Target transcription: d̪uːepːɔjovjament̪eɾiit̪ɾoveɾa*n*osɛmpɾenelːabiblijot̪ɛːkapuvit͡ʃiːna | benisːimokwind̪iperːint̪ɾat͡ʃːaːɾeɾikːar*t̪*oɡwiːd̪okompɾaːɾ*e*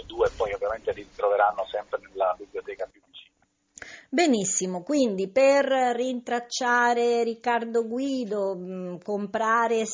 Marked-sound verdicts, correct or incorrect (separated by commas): incorrect, incorrect, correct